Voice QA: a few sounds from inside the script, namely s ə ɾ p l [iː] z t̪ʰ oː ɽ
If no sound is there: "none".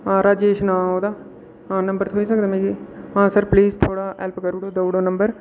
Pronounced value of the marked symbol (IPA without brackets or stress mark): iː